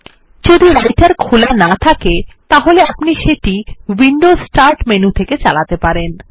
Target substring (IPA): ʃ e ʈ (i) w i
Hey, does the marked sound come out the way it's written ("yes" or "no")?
yes